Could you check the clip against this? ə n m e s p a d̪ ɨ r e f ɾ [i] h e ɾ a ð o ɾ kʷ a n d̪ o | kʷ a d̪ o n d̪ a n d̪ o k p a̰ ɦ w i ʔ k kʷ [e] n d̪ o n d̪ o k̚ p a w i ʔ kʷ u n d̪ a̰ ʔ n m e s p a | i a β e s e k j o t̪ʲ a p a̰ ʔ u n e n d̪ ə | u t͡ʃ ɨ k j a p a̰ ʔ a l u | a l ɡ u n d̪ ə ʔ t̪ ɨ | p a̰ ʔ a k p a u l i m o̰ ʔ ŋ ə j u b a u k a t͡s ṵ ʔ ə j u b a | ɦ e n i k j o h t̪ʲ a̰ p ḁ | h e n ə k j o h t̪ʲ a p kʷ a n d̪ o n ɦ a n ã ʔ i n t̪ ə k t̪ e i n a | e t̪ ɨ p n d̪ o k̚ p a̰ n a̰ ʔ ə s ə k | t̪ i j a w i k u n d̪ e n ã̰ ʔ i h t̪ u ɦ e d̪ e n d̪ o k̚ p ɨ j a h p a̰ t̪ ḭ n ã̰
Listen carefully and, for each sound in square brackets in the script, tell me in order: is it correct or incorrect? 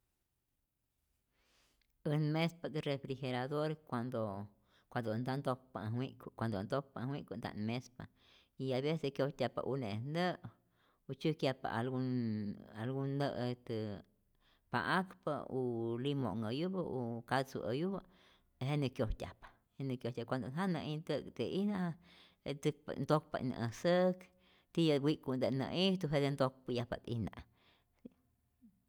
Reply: correct, incorrect

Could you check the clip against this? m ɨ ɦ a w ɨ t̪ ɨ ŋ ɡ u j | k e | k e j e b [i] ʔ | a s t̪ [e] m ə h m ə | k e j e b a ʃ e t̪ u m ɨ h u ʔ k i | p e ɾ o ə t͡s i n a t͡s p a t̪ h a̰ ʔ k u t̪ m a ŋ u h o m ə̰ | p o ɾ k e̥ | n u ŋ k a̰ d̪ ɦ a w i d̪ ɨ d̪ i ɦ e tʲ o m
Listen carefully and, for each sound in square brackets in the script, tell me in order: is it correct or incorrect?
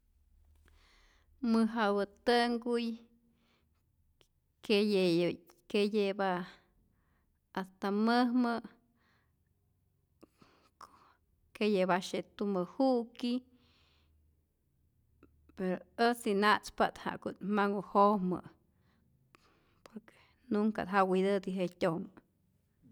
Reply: incorrect, incorrect

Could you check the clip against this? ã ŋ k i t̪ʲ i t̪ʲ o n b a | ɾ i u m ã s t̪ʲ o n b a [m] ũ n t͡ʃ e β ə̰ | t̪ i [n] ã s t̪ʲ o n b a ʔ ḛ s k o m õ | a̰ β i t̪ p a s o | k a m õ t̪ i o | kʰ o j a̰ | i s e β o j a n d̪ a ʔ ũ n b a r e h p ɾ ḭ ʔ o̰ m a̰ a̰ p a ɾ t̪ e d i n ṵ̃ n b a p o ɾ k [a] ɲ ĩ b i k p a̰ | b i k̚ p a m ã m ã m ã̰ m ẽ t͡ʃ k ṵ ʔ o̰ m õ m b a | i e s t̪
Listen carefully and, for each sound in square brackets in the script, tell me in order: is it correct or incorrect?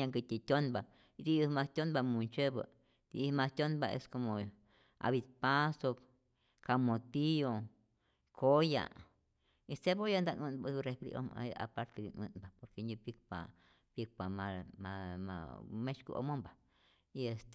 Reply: correct, incorrect, incorrect

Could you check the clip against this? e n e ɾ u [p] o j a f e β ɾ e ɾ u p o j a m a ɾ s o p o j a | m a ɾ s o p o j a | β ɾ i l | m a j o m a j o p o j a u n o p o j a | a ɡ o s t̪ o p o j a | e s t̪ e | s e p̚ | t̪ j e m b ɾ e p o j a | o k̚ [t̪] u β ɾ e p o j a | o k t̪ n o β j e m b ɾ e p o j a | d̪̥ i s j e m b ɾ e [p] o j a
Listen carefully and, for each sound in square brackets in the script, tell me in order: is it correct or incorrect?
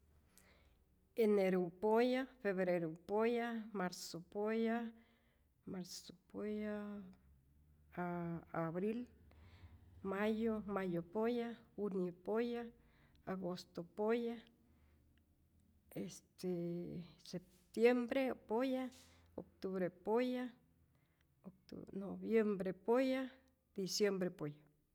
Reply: correct, correct, correct

